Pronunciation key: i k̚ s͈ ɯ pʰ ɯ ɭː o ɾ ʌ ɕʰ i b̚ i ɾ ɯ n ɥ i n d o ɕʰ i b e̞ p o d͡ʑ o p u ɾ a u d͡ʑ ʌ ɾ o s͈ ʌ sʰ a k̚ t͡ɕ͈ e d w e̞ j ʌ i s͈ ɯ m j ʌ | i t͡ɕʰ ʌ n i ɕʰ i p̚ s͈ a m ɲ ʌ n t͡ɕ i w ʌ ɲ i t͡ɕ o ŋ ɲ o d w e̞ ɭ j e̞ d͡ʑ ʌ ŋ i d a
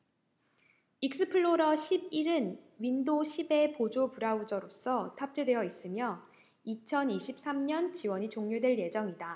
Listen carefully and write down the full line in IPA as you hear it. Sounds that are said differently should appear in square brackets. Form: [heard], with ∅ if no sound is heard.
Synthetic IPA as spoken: i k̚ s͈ ɯ pʰ ɯ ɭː o ɾ ʌ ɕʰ i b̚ i ɾ ɯ n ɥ i n d o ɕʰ i b e̞ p o d͡ʑ o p u ɾ a u d͡ʑ ʌ ɾ o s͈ ʌ [tʰ] a [p̚] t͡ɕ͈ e d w e̞ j ʌ i s͈ ɯ m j ʌ | i t͡ɕʰ ʌ n i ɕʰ i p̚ s͈ a m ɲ ʌ n t͡ɕ i w ʌ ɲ i t͡ɕ o ŋ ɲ o d w e̞ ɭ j e̞ d͡ʑ ʌ ŋ i d a